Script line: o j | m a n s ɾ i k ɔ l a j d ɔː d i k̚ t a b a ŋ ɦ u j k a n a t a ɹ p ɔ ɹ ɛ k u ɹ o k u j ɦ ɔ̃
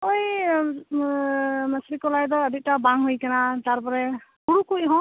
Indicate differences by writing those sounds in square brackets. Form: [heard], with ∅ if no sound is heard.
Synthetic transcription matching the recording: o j | m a [∅] s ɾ i k ɔ l a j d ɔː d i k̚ t a b a ŋ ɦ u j k a n a t a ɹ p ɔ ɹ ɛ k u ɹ [u] k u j ɦ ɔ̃